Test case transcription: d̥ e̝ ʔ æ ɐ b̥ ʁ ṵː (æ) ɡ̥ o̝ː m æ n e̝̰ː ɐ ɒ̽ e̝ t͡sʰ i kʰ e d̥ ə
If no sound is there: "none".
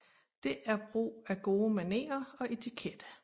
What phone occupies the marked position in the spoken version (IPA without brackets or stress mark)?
æ